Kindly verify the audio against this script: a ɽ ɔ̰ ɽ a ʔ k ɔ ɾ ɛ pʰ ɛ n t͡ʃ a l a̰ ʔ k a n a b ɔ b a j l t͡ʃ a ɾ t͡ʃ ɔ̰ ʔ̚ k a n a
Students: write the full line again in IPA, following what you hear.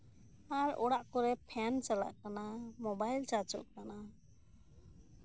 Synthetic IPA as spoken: a ɾ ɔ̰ ɽ a ʔ k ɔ ɾ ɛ pʰ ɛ n t͡ʃ a l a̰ ʔ k a n a m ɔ b a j l t͡ʃ a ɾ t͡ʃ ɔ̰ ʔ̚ k a n a